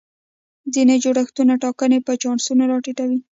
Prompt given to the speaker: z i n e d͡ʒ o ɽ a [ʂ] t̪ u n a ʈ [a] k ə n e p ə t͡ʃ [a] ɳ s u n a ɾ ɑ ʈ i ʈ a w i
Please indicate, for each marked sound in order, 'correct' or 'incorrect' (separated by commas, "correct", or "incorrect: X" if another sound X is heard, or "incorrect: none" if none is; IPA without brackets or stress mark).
incorrect: x, incorrect: ɑ, incorrect: ɑ